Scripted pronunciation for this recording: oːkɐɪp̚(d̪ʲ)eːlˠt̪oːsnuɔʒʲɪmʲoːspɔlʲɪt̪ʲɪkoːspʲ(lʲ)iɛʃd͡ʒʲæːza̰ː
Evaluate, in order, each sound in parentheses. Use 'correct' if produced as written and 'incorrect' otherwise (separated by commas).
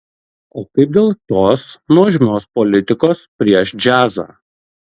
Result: correct, incorrect